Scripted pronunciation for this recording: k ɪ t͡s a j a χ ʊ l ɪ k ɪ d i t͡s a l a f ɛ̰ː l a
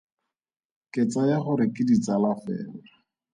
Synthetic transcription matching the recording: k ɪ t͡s a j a χ ʊ ɾ ɪ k ɪ d i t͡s a l a f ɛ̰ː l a